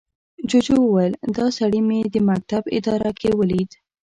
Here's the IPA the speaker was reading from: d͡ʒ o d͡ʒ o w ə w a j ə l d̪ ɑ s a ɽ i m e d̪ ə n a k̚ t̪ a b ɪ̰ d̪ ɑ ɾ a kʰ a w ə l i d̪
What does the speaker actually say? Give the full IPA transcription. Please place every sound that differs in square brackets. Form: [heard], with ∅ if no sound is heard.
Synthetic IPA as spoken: d͡ʒ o d͡ʒ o w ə w a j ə l d̪ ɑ s a ɽ i m e d̪ ə [m] a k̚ t̪ a b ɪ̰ d̪ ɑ ɾ a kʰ [e] w ə l i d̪